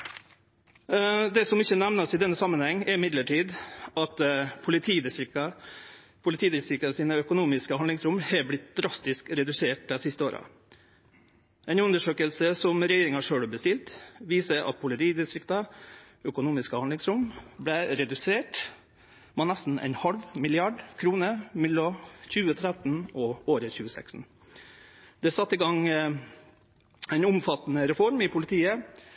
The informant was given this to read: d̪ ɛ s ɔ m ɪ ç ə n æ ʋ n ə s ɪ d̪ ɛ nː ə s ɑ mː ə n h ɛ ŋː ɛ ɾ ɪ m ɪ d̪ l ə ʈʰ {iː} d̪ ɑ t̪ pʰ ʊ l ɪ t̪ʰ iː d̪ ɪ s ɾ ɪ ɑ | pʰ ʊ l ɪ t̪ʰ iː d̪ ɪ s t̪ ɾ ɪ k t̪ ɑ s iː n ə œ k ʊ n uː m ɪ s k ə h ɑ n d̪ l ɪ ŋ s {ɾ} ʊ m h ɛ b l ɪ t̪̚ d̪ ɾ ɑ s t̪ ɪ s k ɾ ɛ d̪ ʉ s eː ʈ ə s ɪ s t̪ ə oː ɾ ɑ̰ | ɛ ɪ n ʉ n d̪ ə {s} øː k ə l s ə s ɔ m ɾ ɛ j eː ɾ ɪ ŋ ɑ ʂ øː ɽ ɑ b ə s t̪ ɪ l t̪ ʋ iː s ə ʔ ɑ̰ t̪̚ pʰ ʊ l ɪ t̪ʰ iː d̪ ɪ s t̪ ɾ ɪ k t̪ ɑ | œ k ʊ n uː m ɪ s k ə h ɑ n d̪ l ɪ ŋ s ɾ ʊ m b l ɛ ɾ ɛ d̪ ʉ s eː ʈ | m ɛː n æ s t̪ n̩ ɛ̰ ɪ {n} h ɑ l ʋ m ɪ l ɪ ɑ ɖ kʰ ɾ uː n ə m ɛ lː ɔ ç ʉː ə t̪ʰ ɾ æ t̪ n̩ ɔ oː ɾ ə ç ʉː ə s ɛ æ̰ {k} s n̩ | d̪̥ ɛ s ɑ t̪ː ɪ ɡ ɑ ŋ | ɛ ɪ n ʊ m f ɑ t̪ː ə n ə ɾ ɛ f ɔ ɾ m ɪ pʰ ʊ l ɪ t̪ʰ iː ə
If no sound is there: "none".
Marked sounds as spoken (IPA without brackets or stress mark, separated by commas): iː, ɾ, ʂ, n, k